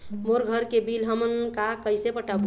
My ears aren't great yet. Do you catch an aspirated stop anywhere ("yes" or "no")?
no